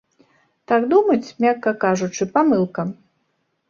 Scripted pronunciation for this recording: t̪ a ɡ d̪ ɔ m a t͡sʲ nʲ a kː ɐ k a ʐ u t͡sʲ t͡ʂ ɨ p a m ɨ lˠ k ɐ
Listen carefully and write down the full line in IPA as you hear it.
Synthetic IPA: t̪ a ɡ d̪ u m ɐ t͡sʲ mʲ a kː ɐ k a ʐ u t͡ʂ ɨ p a m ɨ lˠ k ɐ